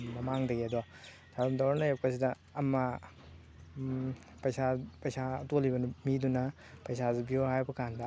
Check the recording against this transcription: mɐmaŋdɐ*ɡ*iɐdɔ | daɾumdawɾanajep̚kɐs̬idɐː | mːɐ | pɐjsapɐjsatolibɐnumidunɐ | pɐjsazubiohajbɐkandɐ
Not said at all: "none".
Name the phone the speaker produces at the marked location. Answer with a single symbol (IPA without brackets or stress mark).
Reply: ɡ